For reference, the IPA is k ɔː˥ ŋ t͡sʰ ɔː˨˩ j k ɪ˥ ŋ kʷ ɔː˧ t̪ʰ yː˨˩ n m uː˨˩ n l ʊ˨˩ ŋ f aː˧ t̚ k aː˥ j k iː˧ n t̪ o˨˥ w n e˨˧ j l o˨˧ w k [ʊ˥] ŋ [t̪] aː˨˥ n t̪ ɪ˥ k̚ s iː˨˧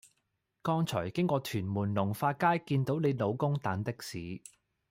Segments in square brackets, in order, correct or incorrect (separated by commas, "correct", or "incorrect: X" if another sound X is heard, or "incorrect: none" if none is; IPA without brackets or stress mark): correct, correct